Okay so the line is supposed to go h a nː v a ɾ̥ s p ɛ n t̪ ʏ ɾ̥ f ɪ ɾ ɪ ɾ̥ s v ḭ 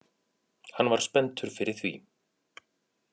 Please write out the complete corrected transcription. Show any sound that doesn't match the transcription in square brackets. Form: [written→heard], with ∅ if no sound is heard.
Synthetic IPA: h a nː v a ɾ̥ s p ɛ n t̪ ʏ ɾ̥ f ɪ ɾ ɪ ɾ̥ [s→θ] v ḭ